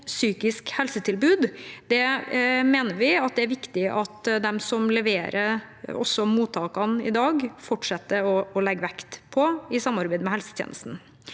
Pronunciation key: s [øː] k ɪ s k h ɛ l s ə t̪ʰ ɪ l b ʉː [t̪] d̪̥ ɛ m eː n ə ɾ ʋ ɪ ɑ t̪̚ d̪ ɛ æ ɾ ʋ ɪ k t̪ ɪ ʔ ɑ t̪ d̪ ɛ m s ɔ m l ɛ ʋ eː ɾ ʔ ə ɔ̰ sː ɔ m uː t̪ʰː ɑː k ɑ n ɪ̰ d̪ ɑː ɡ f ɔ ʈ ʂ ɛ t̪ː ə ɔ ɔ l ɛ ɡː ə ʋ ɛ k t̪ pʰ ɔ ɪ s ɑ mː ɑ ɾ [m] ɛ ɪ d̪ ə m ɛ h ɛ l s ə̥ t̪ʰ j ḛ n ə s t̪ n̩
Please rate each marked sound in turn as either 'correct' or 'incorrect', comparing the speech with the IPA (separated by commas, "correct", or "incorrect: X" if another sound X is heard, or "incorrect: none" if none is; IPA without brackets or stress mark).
incorrect: yː, incorrect: d̪, incorrect: b